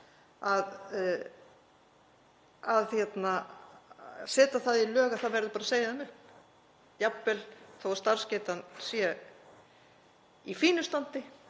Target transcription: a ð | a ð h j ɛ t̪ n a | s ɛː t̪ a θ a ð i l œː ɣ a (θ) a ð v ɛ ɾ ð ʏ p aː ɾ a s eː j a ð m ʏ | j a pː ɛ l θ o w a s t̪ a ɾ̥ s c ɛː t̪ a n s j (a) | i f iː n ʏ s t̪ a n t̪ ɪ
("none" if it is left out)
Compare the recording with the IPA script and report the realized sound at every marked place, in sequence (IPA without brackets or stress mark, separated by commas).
θ, ɛ